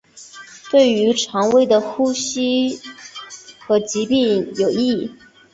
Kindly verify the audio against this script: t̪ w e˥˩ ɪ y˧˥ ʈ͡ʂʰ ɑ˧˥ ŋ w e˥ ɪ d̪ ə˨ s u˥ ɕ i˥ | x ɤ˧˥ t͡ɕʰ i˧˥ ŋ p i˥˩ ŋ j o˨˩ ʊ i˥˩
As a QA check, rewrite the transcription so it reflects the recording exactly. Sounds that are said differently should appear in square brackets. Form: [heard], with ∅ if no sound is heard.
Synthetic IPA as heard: t̪ w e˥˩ ɪ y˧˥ ʈ͡ʂʰ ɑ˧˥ ŋ w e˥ ɪ d̪ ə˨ [x] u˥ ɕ i˥ | x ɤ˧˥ [t͡ɕ] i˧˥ [∅] p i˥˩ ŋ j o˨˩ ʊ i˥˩